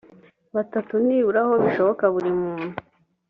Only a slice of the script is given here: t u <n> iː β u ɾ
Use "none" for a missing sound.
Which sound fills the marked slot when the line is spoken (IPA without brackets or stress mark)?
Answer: n